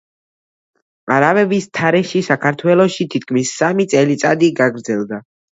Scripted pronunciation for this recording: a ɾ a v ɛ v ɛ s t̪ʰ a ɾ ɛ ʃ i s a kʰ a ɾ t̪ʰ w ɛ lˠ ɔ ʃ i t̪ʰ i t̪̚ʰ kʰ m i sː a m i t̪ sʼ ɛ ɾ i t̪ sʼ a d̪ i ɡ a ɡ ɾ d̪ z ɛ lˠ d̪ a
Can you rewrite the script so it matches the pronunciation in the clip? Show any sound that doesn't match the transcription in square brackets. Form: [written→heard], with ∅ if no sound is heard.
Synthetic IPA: a ɾ a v ɛ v [ɛ→i] s t̪ʰ a ɾ ɛ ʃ i s a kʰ a ɾ t̪ʰ w ɛ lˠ ɔ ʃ i t̪ʰ i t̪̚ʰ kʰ m i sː a m i t̪ sʼ ɛ [ɾ→l] i t̪ sʼ a d̪ i ɡ a ɡ ɾ d̪ z ɛ lˠ d̪ a